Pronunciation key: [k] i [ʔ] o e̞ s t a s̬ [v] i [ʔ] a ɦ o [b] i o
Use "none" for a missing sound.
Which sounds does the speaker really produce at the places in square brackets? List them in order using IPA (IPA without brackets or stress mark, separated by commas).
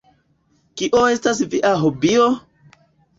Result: k, ʔ, v, ʔ, b